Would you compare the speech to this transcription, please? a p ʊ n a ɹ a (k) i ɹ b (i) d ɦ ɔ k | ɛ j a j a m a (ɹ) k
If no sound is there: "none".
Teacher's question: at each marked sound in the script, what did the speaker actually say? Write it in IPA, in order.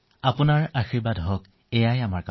x, a, ɹ

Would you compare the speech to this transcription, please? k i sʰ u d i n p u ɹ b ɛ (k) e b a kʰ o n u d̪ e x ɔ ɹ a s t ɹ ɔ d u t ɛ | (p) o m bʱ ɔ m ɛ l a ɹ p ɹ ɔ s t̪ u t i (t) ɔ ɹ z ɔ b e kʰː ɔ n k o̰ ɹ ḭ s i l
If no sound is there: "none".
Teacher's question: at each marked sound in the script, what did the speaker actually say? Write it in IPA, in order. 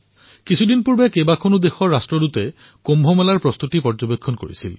k, k, p

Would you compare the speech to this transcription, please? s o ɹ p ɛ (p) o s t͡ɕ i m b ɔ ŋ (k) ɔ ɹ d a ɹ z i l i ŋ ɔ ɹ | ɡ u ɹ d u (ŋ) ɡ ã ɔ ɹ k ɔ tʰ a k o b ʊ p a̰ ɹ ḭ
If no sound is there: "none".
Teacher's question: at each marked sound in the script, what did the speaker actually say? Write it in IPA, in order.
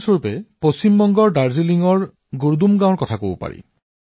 p, ɡ, m

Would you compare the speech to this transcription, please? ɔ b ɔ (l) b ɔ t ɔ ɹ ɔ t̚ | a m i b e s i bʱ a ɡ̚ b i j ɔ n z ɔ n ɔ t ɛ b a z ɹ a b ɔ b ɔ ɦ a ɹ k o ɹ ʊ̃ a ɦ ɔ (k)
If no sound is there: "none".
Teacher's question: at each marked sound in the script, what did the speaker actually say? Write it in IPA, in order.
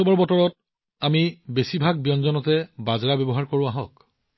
ɹ, k

